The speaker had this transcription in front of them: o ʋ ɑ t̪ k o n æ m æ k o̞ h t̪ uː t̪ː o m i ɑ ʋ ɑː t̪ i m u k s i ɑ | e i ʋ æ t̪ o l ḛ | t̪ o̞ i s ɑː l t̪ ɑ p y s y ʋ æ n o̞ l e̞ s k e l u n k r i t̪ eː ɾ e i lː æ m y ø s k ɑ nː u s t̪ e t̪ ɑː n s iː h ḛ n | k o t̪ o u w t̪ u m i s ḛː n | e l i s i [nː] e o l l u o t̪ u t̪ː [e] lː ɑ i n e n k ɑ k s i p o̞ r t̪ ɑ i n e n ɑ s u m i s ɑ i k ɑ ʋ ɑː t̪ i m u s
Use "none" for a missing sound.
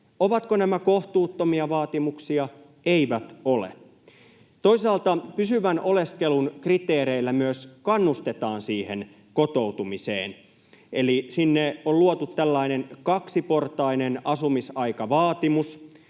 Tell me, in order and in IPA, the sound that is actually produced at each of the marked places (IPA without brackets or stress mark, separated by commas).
nː, æ